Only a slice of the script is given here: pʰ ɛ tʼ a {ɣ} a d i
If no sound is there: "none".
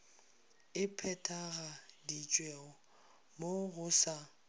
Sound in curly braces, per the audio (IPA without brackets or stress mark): ɣ